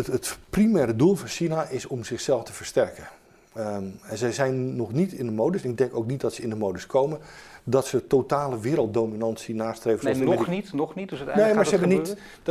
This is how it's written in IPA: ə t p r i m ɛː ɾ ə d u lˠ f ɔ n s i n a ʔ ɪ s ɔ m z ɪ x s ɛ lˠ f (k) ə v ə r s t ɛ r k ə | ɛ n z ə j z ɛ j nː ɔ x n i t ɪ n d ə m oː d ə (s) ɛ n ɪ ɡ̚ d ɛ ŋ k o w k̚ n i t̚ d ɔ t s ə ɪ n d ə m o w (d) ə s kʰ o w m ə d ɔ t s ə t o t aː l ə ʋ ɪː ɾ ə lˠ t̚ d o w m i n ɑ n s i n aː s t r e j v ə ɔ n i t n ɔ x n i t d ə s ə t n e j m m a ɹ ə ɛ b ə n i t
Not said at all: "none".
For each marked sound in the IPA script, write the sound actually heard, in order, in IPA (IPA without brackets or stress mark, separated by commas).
t, s, d